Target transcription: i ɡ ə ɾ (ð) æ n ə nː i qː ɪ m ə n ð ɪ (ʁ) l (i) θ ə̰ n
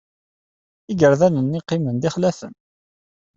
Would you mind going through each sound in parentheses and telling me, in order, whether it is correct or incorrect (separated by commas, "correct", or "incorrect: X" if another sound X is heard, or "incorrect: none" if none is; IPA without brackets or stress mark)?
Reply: correct, incorrect: χ, incorrect: æ